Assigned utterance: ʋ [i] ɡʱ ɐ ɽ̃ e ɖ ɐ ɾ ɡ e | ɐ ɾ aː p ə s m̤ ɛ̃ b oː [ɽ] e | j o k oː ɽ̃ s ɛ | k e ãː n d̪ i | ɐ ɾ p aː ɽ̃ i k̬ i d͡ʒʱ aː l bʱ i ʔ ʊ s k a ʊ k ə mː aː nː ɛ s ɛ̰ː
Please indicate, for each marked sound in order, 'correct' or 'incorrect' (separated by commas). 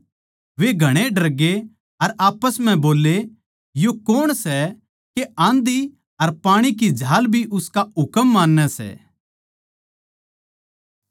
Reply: incorrect, incorrect